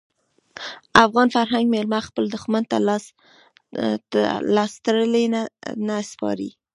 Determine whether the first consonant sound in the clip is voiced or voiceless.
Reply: voiceless